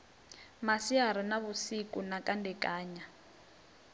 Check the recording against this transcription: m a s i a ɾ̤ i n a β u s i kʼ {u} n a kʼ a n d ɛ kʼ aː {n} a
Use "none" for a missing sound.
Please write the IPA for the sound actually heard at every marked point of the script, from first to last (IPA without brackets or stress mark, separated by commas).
u, ɲ